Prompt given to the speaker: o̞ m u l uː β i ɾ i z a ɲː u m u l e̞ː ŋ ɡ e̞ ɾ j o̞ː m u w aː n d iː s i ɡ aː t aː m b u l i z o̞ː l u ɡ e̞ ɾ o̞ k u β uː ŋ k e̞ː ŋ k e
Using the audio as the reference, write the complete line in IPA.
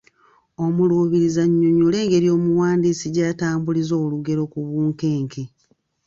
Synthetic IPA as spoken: o̞ m u l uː β i ɾ i z a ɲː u ɲ u l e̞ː ŋ ɡ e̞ ɾ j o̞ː m u w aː n d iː s i ɟ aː t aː m b u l i z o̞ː l u ɡ e̞ ɾ o̞ k u β uː ŋ k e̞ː ŋ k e